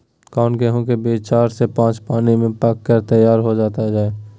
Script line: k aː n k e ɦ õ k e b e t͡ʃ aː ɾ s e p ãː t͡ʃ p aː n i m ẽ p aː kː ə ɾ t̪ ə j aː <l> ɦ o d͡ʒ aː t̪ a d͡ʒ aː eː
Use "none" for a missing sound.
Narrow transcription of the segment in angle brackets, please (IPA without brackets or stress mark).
ɾ